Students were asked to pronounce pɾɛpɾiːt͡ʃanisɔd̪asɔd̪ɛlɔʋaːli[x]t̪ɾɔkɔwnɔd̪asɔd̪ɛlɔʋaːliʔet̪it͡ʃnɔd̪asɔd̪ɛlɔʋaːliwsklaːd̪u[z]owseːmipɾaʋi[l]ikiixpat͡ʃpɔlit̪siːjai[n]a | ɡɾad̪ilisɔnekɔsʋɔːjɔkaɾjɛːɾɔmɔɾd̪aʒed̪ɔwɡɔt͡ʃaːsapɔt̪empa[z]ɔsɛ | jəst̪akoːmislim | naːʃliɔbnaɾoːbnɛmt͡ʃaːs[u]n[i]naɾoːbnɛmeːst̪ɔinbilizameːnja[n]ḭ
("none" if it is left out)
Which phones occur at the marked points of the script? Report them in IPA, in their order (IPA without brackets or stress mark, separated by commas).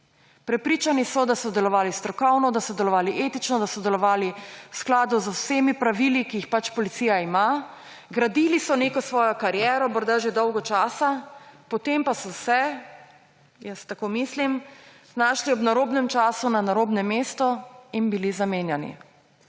s, z, l, m, s, u, a, n